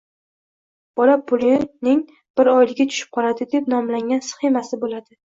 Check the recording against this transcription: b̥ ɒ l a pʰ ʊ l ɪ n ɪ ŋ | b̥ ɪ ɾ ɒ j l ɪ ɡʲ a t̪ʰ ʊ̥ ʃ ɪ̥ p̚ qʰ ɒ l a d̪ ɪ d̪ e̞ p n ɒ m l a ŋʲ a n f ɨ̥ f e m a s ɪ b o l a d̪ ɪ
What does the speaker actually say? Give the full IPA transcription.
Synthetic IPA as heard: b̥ ɒ l a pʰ ʊ l ɪ n ɪ ŋ | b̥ ɪ ɾ ɒ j l ɪ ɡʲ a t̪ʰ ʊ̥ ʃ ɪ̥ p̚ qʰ ɒ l a d̪ ɪ d̪ e̞ p n ɒ m l a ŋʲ a n s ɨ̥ χ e m a s ɪ b o l a d̪ ɪ